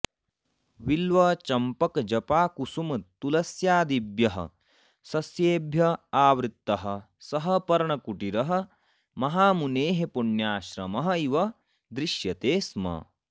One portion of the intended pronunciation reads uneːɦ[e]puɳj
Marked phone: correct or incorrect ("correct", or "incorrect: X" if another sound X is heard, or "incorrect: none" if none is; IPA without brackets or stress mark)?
correct